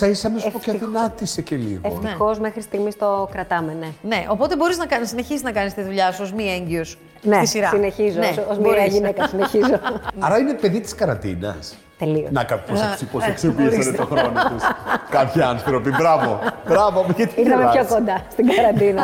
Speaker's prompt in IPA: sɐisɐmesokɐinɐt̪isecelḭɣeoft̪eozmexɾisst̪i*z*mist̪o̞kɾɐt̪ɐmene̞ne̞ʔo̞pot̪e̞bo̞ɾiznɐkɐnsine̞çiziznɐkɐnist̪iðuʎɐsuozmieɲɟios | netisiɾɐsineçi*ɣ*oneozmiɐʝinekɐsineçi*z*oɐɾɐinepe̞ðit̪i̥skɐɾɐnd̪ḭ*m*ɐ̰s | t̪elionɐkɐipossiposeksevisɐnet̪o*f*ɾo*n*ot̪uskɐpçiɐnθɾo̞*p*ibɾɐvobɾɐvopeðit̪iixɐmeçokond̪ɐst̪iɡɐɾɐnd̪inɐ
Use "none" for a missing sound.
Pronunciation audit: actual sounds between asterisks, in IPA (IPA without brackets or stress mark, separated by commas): ɣ, z, z, n, x, n, p